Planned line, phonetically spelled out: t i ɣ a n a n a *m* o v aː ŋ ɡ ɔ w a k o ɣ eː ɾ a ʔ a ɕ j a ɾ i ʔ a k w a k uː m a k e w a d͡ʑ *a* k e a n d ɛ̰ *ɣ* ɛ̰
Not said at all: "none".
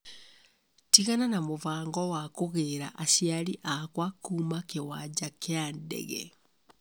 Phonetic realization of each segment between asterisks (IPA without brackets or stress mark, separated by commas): m, a, ɣ